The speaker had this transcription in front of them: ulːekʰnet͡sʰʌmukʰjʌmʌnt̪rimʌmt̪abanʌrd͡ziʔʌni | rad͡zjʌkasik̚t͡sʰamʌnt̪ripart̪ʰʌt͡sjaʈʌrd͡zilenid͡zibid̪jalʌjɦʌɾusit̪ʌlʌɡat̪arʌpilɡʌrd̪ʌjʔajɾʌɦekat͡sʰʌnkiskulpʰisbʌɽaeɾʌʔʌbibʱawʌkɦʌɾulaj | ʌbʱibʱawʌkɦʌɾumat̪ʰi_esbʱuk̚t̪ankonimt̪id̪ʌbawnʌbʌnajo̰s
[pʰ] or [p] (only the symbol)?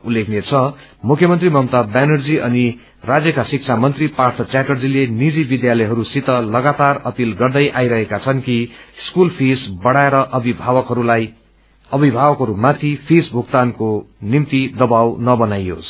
pʰ